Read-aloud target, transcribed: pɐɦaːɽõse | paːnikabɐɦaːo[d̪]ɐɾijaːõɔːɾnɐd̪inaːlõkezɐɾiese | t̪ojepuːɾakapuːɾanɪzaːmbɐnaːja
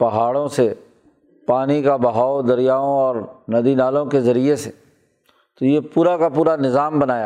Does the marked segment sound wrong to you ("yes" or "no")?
no